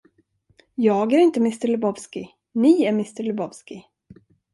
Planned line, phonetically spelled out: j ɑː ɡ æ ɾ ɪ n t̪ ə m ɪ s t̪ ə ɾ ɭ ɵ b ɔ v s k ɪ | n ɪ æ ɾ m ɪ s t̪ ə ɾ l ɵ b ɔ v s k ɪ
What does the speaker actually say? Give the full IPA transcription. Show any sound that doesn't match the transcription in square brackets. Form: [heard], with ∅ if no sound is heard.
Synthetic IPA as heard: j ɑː ɡ æ ɾ ɪ n t̪ ə m ɪ s t̪ ə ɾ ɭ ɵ b ɔ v s k ɪ | n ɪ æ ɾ m ɪ s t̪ ə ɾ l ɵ b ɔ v s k ɪ

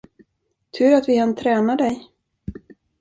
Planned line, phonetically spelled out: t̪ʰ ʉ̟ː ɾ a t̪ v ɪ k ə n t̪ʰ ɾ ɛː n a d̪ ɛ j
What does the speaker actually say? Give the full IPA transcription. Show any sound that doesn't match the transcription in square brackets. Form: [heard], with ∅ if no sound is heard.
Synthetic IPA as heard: t̪ʰ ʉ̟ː ɾ a t̪ v ɪ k [a] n t̪ʰ ɾ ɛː n a d̪ ɛ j

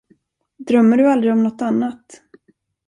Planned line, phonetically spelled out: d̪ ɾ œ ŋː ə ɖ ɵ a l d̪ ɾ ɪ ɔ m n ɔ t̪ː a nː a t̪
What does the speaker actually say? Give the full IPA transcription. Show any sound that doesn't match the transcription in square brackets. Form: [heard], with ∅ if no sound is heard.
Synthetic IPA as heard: d̪ ɾ œ [mː] ə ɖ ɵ a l d̪ ɾ ɪ ɔ m n ɔ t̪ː a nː a t̪

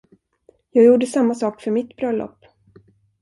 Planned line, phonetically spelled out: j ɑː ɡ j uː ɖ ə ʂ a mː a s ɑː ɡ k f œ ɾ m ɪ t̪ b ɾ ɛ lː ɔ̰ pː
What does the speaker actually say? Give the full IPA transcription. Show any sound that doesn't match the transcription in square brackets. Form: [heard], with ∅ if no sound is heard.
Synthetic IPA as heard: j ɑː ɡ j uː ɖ ə [s] a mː a s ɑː [∅] k f œ ɾ m ɪ t̪ b ɾ [œ] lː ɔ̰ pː

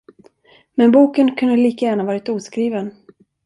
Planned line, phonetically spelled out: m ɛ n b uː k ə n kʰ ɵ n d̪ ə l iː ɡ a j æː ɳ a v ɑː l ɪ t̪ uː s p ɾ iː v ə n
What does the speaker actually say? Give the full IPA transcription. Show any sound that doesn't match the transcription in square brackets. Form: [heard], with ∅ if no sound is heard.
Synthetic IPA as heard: m ɛ n b uː k ə n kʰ ɵ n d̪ ə l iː [k] a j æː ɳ a v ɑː [ɾ] ɪ t̪ uː s [k] ɾ iː v ə n

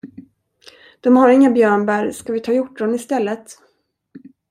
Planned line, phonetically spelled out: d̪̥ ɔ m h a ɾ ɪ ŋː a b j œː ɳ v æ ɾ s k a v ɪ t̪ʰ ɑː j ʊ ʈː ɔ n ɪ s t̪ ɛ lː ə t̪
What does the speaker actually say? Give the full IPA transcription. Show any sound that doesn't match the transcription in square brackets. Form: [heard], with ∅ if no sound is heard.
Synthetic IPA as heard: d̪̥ ɔ m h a ɾ ɪ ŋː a b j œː ɳ [b] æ ɾ s k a v ɪ t̪ʰ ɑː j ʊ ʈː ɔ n ɪ s t̪ ɛ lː ə t̪

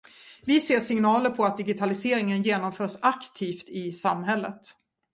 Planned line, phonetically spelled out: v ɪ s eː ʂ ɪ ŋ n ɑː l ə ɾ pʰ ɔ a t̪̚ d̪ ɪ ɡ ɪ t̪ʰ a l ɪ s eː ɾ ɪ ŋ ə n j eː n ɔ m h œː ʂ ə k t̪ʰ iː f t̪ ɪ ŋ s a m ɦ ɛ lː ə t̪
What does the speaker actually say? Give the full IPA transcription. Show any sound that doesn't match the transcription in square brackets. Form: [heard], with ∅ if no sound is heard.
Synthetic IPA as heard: v ɪ s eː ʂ ɪ ŋ n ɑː l ə ɾ pʰ ɔ a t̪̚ d̪ ɪ ɡ ɪ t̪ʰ a l ɪ s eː ɾ ɪ ŋ ə n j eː n ɔ m [f] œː ʂ [a] k t̪ʰ iː f t̪ ɪ [∅] s a m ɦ ɛ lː ə t̪

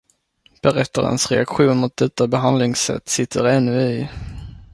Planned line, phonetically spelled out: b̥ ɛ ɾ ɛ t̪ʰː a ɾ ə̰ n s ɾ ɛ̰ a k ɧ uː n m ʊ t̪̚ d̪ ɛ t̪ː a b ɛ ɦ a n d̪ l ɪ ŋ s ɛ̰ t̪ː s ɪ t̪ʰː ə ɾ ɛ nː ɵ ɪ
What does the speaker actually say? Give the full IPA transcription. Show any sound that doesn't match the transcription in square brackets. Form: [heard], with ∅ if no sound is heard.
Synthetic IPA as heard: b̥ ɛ ɾ ɛ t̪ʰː a ɾ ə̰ n s ɾ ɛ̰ a k ɧ uː n m ʊ t̪̚ d̪ ɛ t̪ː a b ɛ ɦ a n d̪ l ɪ ŋ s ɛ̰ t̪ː s ɪ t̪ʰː ə ɾ ɛ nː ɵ ɪ

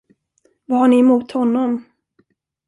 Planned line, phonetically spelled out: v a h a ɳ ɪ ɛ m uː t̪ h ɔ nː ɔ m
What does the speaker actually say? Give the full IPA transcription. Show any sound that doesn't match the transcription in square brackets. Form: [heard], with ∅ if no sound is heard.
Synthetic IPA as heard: v a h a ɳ ɪ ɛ m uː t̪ h ɔ nː ɔ m

